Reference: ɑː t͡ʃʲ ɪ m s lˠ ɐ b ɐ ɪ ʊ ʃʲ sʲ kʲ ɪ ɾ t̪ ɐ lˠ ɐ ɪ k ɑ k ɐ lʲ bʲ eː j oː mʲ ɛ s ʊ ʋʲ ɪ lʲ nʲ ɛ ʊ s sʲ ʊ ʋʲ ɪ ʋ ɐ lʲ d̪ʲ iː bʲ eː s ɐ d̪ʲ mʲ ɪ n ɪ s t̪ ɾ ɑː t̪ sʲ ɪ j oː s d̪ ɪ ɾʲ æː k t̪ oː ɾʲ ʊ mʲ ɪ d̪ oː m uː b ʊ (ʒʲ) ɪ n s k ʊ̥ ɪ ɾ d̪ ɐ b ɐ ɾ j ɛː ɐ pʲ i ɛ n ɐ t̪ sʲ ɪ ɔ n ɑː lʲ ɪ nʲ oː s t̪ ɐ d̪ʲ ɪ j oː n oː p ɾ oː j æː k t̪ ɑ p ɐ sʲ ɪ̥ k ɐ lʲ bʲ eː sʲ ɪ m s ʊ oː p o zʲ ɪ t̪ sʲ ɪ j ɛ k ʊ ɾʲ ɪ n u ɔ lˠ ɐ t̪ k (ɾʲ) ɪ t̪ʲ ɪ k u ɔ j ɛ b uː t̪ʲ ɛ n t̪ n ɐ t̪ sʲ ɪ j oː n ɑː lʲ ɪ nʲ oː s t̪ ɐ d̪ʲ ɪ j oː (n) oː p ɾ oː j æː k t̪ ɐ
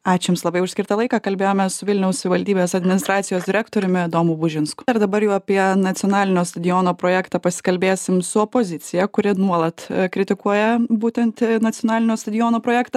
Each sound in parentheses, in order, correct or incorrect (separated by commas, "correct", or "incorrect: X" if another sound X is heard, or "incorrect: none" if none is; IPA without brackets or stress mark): correct, correct, correct